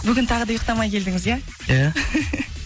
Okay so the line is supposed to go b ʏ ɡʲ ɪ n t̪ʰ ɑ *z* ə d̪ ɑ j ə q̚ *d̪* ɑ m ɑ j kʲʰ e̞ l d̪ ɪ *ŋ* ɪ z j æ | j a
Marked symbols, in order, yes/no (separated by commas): no, no, yes